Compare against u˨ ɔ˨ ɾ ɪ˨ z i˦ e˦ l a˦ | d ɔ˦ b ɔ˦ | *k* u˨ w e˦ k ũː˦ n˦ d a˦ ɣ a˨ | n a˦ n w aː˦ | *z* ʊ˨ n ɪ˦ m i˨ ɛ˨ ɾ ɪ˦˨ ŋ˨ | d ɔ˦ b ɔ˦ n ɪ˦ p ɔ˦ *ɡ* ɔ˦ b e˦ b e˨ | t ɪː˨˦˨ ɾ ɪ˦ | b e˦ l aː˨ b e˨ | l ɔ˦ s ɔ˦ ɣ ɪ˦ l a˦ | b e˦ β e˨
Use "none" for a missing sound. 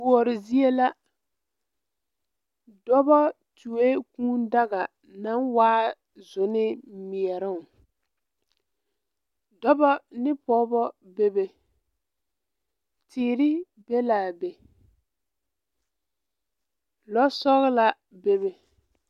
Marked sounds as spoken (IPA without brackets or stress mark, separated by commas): t, z, b